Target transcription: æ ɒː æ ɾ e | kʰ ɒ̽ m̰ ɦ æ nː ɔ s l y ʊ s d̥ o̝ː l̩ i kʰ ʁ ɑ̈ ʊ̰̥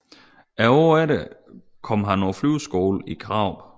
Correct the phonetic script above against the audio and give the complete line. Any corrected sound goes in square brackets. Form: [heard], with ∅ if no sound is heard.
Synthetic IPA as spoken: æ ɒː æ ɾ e | kʰ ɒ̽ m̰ ɦ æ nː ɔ [f] l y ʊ s [ɡ̥] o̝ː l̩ i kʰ ʁ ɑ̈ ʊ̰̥